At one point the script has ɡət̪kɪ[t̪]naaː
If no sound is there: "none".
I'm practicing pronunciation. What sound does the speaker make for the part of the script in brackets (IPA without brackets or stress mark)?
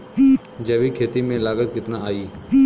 t̪